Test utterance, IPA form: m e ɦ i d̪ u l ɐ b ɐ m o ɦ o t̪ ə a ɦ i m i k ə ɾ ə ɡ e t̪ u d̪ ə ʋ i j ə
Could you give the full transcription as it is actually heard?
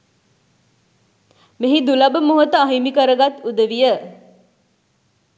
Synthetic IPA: m e ɦ i d̪ u l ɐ b ə m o ɦ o t̪ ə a ɦ i m i k ə ɾ ə ɡ a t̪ u d̪ ə ʋ i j ə